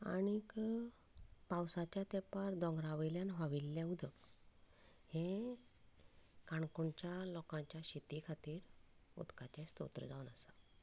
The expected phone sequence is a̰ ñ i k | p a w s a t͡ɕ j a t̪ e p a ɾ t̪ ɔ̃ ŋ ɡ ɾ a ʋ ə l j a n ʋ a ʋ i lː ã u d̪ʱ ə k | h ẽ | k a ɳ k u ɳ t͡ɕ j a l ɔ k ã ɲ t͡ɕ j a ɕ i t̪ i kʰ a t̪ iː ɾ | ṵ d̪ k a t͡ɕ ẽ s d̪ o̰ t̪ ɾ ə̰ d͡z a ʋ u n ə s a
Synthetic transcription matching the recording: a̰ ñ i k | p a w s a t͡ɕ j a t̪ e p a ɾ d̪ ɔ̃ ŋ ɡ ɾ a ʋ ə l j a n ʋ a ʋ i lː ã u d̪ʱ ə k | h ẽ | k a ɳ k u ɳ t͡ɕ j a l ɔ k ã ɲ t͡ɕ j a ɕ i t̪ i kʰ a t̪ iː ɾ | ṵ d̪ k a t͡ɕ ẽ s t̪ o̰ t̪ ɾ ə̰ d͡z a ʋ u n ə s a

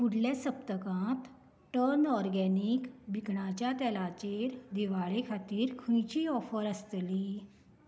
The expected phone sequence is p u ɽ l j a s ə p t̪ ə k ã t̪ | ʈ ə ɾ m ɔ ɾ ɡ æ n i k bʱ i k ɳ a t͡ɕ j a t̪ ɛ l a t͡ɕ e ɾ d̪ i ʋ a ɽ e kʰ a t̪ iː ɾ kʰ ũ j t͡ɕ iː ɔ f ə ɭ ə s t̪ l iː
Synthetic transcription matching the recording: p u ɽ l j a s ə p t̪ ə k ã t̪ | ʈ ə ɾ n ɔ ɾ ɡ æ n i k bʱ i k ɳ a t͡ɕ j a t̪ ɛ l a t͡ɕ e ɾ d̪ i ʋ a ɭ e kʰ a t̪ iː ɾ kʰ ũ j t͡ɕ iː ɔ f ə ɾ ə s t̪ l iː

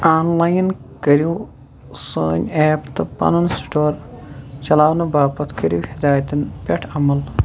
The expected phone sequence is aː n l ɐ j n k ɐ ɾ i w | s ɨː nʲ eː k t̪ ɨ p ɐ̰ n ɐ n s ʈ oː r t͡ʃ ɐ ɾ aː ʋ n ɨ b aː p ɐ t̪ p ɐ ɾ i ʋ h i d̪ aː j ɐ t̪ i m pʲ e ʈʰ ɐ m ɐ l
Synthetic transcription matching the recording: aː n l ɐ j n k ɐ ɾ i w | s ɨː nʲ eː p t̪ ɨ p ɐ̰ n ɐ n s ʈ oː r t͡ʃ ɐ l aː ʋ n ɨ b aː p ɐ t̪ k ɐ ɾ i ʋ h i d̪ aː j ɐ t̪ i n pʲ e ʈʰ ɐ m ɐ l

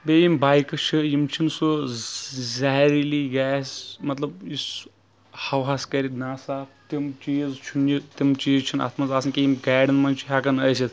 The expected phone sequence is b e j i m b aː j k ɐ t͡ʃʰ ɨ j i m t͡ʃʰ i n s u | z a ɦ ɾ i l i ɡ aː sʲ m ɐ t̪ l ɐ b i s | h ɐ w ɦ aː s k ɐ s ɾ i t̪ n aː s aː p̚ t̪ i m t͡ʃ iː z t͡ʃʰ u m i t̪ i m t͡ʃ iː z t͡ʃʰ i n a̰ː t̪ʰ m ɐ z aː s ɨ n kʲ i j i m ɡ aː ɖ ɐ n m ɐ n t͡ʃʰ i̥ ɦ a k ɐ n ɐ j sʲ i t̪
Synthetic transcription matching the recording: b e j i m b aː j k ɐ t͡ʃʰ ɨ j i m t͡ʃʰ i n s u | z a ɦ ɾ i l i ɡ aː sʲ m ɐ t̪ l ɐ b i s | h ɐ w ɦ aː s k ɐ ɾ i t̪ n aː s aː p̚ t̪ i m t͡ʃ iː z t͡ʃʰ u n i t̪ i m t͡ʃ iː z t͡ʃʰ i n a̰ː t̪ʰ m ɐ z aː s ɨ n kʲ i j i m ɡ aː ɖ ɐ n m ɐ n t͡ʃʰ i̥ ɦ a k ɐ n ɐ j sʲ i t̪

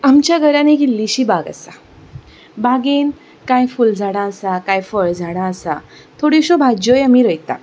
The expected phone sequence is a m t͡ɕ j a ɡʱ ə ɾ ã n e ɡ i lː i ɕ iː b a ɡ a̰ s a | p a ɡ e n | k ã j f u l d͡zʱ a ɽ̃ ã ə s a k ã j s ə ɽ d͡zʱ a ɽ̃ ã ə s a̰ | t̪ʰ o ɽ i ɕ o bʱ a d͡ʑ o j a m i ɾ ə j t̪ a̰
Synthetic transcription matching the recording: a m t͡ɕ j a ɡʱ ə ɾ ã n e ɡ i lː i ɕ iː b a ɡ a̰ s a | b a ɡ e n | k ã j f u l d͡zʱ a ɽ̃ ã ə s a k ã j f ə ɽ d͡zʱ a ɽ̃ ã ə s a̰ | t̪ʰ o ɽ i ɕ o bʱ a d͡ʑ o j a m i ɾ ə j t̪ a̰

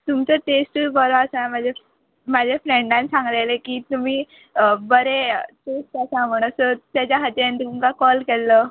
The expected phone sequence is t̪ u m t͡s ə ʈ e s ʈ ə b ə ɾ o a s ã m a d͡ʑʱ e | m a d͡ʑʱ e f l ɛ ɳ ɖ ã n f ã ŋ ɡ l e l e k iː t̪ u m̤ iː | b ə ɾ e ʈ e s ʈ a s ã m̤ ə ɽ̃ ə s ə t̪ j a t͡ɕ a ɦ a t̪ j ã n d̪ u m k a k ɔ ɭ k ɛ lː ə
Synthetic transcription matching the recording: t̪ u m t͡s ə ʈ e s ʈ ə b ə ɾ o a s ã m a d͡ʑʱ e | m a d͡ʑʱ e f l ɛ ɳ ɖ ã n s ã ŋ ɡ l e l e k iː t̪ u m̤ iː | b ə ɾ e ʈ e s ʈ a s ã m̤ ə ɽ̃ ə s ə t̪ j a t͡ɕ a ɦ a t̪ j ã n t̪ u m k a k ɔ l k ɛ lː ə

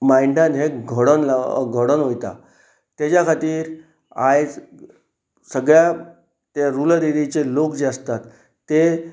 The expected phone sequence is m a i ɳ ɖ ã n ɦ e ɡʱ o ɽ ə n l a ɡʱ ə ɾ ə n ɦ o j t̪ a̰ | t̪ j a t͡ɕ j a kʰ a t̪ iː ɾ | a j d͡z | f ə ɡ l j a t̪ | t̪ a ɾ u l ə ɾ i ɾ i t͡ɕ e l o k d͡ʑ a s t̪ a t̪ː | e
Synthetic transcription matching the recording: m a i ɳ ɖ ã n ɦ e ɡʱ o ɽ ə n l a ɡʱ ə ɽ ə n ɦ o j t̪ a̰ | t̪ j a t͡ɕ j a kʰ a t̪ iː ɾ | a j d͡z | s ə ɡ ɭ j a | t̪ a ɾ u l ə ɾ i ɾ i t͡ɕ e l o k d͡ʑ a s t̪ a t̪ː | e

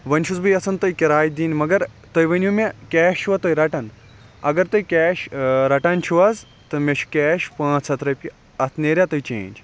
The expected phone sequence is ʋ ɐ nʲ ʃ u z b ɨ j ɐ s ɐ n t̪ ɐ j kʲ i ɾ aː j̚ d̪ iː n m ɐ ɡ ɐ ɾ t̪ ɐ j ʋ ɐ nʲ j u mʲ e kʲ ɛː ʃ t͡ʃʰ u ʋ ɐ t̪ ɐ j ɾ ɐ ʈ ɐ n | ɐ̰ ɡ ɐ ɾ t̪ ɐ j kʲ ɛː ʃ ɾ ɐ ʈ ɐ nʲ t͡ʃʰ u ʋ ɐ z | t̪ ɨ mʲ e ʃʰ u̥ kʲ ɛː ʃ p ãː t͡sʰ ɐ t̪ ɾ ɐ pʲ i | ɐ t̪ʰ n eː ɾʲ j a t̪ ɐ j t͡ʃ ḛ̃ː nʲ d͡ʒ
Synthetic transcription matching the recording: ʋ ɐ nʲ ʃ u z b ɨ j ɐ s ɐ n t̪ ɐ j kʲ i ɾ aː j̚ d̪ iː n m ɐ ɡ ɐ ɾ t̪ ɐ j ʋ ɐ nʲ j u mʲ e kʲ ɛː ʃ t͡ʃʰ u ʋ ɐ t̪ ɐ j ɾ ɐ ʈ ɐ n | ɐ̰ ɡ ɐ ɾ t̪ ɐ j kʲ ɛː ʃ ɾ ɐ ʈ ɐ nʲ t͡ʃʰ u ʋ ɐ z | t̪ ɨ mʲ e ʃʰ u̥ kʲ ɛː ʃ p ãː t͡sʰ ɐ t̪ ɾ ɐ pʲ i | ɐ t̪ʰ n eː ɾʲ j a t̪ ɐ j t͡ʃ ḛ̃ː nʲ d͡ʒ

